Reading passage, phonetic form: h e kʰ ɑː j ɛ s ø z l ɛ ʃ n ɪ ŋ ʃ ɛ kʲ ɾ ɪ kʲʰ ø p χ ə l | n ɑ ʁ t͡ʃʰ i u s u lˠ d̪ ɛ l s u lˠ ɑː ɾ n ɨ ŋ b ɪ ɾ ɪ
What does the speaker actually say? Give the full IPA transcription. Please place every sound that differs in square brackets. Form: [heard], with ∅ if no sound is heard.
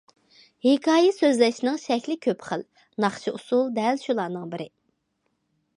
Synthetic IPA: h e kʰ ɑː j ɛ s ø z l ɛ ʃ n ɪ ŋ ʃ ɛ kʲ [l] ɪ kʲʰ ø p χ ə l | n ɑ [χ] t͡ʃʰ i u s u lˠ d̪ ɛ l [ʃ] u lˠ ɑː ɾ n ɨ ŋ b ɪ ɾ ɪ